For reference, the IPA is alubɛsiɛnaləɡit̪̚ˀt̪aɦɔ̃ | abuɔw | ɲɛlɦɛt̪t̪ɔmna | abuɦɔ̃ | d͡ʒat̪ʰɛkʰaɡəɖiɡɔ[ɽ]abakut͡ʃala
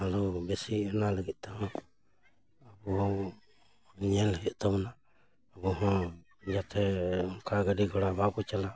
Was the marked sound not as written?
no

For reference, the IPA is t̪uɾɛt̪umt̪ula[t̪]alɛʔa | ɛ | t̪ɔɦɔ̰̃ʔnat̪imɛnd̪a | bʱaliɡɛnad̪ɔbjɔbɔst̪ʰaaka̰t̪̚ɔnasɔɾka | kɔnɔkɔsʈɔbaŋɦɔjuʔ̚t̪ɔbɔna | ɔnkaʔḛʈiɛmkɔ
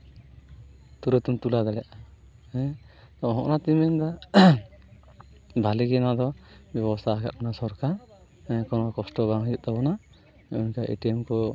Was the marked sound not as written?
yes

